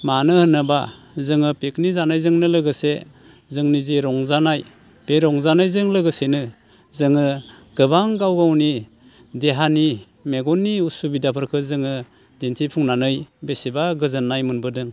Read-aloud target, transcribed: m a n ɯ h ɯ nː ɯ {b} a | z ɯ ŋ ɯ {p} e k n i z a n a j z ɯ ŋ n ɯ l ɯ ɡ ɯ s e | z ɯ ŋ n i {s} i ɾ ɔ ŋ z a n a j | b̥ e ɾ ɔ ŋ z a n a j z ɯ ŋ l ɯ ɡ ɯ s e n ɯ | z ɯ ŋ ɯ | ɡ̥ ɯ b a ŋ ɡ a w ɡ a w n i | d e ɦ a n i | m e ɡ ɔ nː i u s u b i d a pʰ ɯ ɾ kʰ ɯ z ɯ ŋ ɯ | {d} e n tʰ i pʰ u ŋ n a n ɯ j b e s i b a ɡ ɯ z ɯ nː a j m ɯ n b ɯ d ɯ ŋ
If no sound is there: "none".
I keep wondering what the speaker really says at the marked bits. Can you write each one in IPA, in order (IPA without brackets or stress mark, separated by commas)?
b, p, z, d